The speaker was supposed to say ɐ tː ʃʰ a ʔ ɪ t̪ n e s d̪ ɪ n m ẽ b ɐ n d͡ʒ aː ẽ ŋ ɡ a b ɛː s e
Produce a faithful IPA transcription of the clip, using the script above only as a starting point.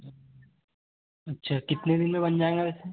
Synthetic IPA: ɐ tː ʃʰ a k ɪ t̪ n e d̪ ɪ n m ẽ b ɐ n d͡ʒ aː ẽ ŋ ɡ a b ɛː s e